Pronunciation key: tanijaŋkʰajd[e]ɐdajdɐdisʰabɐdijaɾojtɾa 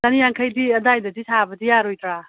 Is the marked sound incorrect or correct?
incorrect